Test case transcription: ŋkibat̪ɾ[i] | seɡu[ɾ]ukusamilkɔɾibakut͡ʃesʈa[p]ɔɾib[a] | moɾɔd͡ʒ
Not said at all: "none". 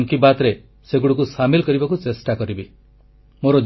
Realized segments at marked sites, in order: e, ɽ, k, i

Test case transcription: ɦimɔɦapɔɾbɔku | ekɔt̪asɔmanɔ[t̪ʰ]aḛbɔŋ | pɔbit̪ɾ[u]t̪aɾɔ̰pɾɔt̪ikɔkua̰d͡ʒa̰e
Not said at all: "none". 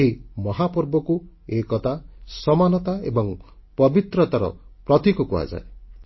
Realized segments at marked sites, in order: t̪, ɔ

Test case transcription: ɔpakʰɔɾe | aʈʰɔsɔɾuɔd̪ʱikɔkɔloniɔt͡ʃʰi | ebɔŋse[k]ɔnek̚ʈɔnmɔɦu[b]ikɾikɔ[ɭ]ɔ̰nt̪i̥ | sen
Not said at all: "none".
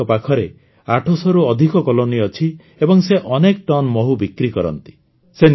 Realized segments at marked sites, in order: ʔ, b, ɾ

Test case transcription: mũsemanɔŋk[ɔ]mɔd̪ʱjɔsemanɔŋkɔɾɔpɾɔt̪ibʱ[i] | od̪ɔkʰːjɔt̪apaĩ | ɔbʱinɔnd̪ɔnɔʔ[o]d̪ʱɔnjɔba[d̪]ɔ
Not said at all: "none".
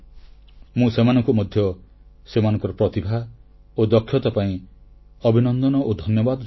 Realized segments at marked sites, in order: u, a, o, d̪

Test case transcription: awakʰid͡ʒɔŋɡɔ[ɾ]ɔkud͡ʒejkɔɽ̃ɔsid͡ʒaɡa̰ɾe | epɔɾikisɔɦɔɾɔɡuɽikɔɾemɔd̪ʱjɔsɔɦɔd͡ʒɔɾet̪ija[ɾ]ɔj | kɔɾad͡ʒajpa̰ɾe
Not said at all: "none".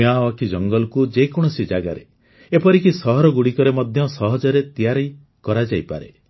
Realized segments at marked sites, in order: l, ɾ

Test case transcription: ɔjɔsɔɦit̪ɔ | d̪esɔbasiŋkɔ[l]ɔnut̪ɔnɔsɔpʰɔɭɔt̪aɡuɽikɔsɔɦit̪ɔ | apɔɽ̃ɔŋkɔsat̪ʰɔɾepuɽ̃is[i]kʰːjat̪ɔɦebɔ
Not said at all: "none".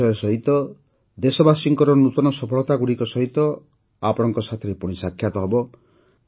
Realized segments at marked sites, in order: ɾ, a

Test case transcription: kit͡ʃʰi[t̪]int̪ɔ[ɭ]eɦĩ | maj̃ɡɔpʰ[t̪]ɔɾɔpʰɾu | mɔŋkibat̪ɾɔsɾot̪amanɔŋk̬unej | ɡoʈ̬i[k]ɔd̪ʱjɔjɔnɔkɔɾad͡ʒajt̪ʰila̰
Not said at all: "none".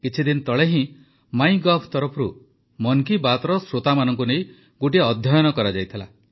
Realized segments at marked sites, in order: d̪, ɭ, t̪, none

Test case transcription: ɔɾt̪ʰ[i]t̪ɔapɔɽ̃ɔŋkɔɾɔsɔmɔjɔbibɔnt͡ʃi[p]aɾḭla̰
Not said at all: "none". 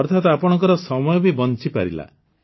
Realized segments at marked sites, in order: a, p

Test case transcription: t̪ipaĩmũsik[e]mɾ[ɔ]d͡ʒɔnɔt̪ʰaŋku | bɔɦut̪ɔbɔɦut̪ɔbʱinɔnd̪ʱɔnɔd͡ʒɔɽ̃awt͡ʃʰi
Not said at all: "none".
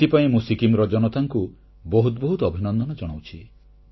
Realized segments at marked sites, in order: i, ɔ

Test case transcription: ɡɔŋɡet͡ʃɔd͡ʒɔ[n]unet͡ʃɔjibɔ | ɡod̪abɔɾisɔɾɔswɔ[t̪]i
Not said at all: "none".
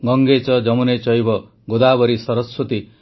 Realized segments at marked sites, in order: m, t̪

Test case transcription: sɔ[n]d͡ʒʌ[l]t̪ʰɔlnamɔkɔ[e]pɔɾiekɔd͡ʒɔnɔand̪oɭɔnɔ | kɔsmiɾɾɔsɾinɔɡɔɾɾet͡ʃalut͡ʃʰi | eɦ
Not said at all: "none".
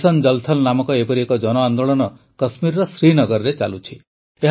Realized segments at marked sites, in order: n, l, e

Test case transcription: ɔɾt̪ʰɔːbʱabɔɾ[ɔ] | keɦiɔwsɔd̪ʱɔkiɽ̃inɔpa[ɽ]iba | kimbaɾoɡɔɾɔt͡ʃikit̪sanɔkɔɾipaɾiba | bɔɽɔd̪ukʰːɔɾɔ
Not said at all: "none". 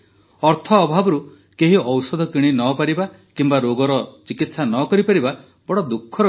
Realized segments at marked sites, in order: u, ɾ

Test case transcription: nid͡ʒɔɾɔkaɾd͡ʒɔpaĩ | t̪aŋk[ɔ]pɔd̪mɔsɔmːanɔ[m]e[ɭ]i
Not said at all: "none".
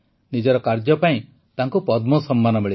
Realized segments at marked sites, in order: u, m, ɭ

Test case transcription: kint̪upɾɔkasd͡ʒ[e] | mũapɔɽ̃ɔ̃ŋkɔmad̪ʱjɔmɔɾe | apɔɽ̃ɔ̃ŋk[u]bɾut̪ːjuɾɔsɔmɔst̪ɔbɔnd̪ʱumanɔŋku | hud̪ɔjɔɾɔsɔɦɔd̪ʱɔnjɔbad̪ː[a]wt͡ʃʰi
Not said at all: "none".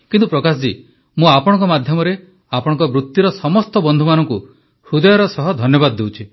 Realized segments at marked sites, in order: i, ɔ, e

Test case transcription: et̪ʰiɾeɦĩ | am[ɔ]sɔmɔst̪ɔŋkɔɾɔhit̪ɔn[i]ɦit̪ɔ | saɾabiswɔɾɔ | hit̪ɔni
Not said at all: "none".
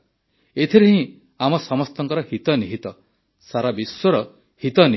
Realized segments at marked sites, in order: ɔ, i

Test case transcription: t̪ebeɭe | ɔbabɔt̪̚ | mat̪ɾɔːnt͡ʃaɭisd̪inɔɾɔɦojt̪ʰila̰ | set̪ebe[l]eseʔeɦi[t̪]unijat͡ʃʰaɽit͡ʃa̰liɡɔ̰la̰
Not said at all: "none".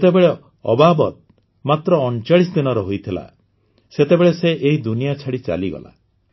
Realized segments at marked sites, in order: ɭ, d̪

